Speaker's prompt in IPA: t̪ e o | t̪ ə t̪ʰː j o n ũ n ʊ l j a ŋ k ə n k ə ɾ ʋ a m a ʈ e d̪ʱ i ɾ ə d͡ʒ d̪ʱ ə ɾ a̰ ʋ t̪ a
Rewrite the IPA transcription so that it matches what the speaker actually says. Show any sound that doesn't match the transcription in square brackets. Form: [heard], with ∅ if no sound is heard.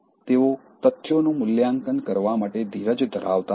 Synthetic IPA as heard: t̪ e o | t̪ ə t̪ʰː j o n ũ [m] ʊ l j a ŋ k ə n k ə ɾ ʋ a m a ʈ e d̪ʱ i ɾ ə d͡ʒ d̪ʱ ə ɾ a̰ ʋ t̪ a